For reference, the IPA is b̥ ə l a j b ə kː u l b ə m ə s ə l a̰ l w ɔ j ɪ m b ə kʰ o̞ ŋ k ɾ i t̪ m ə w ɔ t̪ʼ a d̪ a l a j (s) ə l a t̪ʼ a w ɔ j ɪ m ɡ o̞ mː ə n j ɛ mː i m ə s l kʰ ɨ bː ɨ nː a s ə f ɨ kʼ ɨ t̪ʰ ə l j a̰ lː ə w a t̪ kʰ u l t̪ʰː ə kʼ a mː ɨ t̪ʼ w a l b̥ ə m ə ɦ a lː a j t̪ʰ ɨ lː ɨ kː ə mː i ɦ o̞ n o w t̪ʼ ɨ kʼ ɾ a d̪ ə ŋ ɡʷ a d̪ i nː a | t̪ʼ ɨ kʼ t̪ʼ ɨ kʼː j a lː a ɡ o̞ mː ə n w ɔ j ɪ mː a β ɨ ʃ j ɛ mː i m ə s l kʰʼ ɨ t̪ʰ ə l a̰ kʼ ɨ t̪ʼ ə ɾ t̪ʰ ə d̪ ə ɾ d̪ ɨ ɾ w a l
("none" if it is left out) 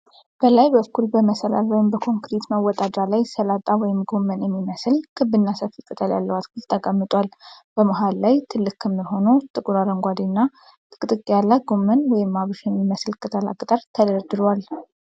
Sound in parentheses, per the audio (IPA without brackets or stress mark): s